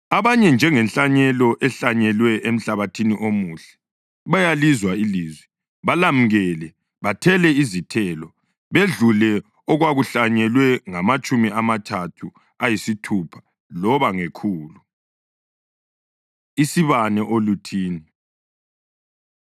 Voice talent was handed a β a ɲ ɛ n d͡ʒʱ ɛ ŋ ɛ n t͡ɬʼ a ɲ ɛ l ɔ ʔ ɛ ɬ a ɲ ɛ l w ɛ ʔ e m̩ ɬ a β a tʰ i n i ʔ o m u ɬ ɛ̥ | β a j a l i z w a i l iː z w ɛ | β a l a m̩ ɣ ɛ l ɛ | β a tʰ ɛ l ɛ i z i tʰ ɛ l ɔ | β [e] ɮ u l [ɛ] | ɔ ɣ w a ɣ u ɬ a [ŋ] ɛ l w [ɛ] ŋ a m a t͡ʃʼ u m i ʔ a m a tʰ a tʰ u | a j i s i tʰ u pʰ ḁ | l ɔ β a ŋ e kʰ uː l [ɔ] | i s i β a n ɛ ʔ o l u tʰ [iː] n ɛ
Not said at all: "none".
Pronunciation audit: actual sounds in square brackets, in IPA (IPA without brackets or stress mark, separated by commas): e, ɛ, ɲ, ɛ, u, iː